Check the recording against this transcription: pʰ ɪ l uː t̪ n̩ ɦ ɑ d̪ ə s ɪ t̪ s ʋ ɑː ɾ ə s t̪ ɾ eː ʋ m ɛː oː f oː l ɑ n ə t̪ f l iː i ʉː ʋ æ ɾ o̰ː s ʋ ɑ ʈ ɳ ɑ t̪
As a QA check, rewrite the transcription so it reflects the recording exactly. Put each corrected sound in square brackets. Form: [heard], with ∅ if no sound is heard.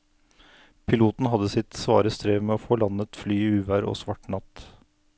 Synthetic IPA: pʰ ɪ l uː t̪ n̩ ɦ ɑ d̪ ə s ɪ t̪ s ʋ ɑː ɾ ə s t̪ ɾ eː ʋ m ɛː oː f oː l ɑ n ə t̪ f l [yː] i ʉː ʋ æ ɾ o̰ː s ʋ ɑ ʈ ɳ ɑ t̪